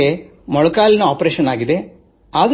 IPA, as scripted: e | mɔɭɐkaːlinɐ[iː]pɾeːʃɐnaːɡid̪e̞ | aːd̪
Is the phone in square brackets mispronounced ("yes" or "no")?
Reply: yes